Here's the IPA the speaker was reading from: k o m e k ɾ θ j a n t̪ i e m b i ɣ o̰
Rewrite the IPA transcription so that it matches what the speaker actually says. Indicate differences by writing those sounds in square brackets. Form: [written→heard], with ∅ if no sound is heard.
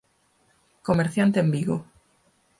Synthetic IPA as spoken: k o m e [k→∅] ɾ θ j a n t̪ [i→e] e m b i ɣ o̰

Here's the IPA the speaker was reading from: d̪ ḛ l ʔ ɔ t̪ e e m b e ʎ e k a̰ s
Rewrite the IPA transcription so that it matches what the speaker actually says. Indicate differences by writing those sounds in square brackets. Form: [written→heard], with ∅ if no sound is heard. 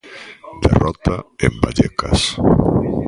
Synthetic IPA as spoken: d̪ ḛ [l→r] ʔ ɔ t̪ [e→a] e m b [e→a] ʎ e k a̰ s

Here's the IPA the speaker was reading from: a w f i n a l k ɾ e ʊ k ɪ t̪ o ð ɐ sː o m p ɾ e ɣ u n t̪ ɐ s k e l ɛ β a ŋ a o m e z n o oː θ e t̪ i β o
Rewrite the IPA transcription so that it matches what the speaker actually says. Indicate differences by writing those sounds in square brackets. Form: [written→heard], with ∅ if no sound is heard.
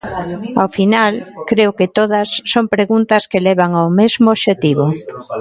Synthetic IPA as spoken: a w f i n a l k ɾ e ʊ k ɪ t̪ o ð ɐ sː o m p ɾ e ɣ u n t̪ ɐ s k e l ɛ β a ŋ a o m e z [n→m] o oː [θ→ʃ] e t̪ i β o

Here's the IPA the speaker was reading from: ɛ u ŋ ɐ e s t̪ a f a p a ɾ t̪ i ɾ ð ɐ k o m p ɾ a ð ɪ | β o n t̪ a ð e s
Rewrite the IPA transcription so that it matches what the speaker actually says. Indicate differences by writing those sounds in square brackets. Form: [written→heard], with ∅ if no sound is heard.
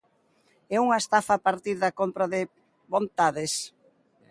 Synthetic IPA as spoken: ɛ u ŋ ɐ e s t̪ a f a p a ɾ t̪ i ɾ ð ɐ k o m p ɾ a ð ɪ | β o n t̪ a ð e s

